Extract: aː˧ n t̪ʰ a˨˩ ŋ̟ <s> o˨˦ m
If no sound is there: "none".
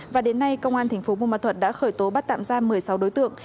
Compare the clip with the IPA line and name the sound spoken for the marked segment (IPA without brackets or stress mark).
f